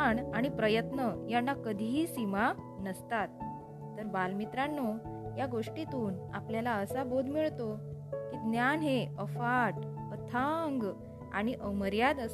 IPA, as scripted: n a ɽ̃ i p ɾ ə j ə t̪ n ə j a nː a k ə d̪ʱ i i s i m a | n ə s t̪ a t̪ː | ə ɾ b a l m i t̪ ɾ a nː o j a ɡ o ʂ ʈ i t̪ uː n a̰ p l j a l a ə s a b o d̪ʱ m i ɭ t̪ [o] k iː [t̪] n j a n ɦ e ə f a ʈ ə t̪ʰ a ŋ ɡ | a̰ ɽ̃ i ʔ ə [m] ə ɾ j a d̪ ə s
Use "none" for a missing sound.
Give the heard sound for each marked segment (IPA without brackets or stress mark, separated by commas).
o, d̪, m